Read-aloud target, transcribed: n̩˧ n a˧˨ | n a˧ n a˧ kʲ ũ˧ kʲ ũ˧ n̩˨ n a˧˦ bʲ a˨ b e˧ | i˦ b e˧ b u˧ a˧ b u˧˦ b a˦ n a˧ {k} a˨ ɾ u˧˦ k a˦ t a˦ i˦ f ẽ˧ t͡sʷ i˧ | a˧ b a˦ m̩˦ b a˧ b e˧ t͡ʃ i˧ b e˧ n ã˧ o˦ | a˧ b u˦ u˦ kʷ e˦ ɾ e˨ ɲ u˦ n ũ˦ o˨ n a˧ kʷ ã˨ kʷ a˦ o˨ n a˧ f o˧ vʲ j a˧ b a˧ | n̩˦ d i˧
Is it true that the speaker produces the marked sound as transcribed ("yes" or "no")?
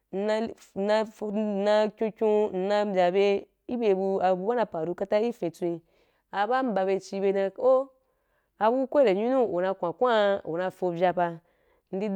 no